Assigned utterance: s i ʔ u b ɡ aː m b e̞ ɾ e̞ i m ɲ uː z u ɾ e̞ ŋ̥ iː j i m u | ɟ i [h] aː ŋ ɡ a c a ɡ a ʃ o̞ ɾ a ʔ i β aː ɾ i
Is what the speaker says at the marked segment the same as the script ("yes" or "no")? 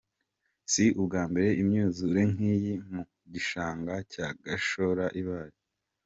no